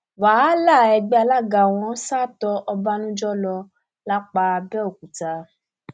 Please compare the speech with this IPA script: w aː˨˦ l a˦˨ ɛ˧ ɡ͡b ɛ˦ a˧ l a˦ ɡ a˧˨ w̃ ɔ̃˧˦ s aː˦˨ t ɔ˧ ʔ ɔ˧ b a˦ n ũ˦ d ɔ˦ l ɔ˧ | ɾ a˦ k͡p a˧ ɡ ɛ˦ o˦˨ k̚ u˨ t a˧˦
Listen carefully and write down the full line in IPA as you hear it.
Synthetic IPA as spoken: w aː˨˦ l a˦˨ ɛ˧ ɡ͡b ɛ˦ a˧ l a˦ ɡ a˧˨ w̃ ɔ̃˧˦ s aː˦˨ t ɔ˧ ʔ ɔ˧ b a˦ n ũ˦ d͡ʒ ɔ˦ l ɔ˧ | l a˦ k͡p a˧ b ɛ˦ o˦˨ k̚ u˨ t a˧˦